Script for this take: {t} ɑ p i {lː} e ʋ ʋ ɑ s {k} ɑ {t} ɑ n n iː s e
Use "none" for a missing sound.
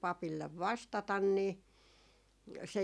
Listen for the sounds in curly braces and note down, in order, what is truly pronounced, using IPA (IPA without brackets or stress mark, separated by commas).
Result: p, lː, t, t